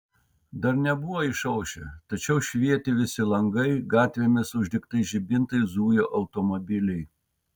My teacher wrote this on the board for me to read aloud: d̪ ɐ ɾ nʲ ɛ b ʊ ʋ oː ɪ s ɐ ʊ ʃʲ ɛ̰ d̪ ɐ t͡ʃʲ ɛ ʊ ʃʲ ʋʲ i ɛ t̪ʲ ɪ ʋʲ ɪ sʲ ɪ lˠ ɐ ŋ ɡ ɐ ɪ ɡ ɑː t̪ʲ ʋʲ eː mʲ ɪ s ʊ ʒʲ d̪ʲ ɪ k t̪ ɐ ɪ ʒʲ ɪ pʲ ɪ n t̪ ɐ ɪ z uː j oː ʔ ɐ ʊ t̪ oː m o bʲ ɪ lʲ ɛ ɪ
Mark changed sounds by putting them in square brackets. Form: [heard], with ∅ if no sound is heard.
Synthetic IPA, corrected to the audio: d̪ ɐ ɾ nʲ ɛ b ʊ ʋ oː ɪ [ʃ] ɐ ʊ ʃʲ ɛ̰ [t̪] ɐ t͡ʃʲ ɛ ʊ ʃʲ ʋʲ i ɛ t̪ʲ ɪ ʋʲ ɪ sʲ ɪ lˠ ɐ ŋ ɡ ɐ ɪ ɡ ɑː t̪ʲ ʋʲ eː mʲ ɪ s ʊ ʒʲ d̪ʲ ɪ k t̪ ɐ ɪ ʒʲ ɪ [bʲ] ɪ n t̪ ɐ ɪ z uː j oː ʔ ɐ ʊ t̪ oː m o bʲ ɪ lʲ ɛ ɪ